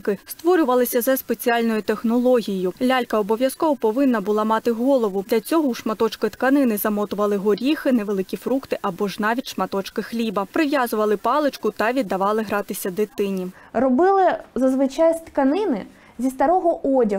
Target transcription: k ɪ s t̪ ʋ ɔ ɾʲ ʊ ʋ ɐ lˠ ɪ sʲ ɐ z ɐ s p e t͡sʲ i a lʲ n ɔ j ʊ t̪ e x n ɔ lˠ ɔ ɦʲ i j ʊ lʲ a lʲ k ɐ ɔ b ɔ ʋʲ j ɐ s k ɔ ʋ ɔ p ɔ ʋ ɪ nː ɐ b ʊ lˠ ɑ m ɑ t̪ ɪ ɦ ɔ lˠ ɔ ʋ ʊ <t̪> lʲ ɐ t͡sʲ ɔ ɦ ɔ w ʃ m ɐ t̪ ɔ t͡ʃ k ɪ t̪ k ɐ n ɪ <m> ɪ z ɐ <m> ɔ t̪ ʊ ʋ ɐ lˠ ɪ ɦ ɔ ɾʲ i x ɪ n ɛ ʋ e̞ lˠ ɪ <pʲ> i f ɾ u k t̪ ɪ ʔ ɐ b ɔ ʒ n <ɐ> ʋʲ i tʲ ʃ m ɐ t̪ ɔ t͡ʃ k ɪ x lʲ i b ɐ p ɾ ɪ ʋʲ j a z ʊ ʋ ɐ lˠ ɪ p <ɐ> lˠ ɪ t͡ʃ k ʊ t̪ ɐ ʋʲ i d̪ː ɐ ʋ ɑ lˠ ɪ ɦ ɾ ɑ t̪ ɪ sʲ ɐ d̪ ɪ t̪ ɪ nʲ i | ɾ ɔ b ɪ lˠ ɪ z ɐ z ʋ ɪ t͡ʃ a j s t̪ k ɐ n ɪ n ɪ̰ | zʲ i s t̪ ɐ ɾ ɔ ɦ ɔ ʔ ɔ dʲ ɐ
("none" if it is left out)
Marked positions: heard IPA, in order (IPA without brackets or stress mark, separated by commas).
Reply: d̪, n, m, kʲ, ɑ, ɑ